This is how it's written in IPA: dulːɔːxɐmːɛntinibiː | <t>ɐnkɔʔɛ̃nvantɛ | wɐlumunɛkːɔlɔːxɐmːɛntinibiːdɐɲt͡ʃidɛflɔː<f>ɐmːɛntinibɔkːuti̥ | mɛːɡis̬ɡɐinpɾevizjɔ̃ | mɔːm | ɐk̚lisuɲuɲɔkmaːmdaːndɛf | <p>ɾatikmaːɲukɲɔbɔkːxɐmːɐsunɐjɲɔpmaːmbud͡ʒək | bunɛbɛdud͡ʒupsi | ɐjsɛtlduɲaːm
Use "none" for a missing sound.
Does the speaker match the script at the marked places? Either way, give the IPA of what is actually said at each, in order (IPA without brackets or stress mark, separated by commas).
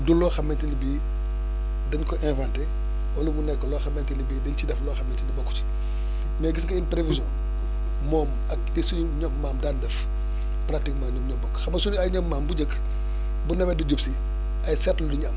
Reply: d, x, p